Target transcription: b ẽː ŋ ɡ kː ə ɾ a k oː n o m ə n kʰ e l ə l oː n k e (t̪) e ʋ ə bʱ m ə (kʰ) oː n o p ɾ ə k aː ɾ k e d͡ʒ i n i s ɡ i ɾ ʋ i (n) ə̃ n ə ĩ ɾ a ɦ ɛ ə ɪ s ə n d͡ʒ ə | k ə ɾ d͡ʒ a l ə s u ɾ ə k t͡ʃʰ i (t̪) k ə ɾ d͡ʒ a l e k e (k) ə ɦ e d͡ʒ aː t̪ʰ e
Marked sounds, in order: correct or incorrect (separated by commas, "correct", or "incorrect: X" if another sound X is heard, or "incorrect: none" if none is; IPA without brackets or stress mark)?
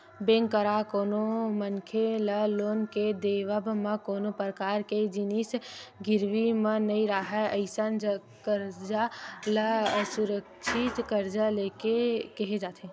incorrect: d̪, incorrect: k, incorrect: m, correct, correct